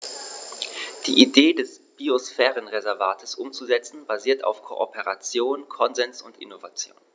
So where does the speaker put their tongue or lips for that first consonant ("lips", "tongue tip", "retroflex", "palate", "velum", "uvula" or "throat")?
tongue tip